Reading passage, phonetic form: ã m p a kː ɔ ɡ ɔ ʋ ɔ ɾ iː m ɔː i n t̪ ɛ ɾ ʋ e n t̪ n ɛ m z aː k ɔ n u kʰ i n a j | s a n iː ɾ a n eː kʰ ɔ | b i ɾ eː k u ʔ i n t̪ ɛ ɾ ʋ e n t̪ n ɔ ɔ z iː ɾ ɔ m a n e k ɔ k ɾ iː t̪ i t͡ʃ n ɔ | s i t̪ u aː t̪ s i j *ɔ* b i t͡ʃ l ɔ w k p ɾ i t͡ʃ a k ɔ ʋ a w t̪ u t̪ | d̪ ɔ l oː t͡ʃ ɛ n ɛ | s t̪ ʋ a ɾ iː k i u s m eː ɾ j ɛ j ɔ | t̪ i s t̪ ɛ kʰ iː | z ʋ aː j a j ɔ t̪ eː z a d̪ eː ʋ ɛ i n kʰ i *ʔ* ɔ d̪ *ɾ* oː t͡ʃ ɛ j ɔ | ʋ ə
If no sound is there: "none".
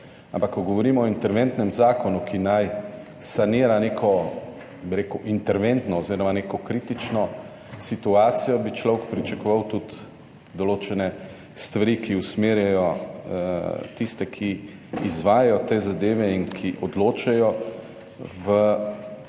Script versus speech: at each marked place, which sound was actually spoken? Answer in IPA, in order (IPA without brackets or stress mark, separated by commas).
ɔ, ʔ, l